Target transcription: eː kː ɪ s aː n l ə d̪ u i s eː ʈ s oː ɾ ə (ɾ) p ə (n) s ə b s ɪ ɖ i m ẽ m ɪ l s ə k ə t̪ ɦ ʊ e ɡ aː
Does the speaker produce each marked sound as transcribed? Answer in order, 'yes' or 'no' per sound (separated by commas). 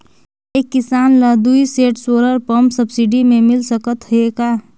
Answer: yes, no